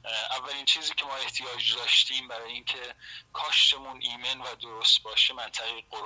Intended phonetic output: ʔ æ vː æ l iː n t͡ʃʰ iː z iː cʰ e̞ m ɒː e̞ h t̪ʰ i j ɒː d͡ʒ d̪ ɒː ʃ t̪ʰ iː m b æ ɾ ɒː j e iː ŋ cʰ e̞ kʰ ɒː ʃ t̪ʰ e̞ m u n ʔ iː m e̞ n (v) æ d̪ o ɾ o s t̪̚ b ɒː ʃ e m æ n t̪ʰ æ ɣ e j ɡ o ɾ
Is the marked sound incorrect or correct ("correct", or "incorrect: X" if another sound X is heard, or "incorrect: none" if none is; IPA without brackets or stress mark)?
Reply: correct